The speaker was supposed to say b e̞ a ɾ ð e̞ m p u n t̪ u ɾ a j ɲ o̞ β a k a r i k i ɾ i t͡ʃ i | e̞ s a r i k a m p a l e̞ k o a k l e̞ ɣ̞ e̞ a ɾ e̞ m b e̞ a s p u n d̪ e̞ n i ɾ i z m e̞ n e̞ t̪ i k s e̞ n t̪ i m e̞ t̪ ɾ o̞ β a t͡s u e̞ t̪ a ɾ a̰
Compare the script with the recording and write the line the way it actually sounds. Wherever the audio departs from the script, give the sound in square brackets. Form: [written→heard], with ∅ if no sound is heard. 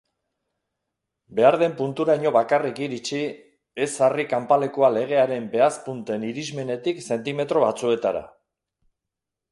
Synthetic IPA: b e̞ a ɾ ð e̞ m p u n t̪ u ɾ a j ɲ o̞ β a k a r i k i ɾ i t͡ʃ i | e̞ s a r i k a m p a l e̞ k o a [k→∅] l e̞ ɣ̞ e̞ a ɾ e̞ m b e̞ a s p u n [d̪→t̪] e̞ n i ɾ i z m e̞ n e̞ t̪ i k s e̞ n t̪ i m e̞ t̪ ɾ o̞ β a t͡s u e̞ t̪ a ɾ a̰